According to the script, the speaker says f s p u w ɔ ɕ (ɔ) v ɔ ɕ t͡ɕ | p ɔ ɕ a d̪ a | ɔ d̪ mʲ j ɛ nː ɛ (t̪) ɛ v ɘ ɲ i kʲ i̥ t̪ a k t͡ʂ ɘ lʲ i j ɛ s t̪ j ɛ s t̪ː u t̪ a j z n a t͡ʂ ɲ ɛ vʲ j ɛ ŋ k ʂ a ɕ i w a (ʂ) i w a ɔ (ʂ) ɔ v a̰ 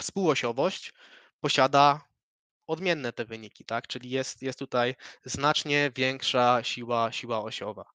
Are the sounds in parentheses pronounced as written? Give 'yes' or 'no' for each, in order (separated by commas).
yes, yes, no, no